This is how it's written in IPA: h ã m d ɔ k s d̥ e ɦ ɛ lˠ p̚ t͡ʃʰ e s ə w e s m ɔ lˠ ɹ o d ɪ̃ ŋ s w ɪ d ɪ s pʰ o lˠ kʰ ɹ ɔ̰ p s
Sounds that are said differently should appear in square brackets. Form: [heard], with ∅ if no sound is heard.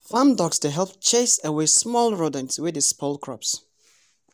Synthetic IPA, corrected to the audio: [f] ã m d ɔ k s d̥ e ɦ ɛ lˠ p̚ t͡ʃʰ e s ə w e s m ɔ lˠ ɹ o d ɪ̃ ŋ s w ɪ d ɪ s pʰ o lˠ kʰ ɹ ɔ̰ p s